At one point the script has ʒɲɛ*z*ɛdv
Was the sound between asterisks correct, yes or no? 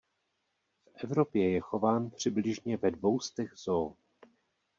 no